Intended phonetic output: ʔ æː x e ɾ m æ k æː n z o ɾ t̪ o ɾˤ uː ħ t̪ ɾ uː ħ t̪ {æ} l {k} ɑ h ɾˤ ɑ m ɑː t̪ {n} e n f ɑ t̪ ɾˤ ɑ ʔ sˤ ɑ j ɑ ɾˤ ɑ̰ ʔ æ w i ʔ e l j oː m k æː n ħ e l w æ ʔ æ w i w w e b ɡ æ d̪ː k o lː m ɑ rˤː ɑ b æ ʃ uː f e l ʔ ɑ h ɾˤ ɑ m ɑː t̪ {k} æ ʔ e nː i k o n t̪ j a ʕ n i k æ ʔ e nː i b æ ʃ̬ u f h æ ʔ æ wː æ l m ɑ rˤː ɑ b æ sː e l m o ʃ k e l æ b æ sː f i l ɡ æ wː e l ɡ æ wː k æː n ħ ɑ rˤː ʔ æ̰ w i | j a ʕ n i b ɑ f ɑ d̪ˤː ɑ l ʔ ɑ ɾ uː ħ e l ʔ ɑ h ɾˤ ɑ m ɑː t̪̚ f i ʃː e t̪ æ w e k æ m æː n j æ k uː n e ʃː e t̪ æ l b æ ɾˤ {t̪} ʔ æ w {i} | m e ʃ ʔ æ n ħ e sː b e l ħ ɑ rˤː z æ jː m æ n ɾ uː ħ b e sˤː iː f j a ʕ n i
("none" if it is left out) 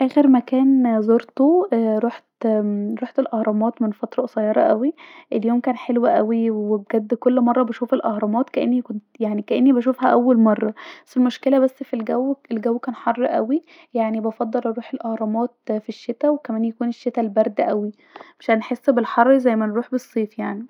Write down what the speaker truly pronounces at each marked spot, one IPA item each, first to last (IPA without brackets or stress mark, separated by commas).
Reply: e, ʔ, m, k, d̪, i